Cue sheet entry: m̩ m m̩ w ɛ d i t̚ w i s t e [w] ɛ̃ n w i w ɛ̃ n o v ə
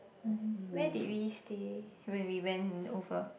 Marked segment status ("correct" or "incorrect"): correct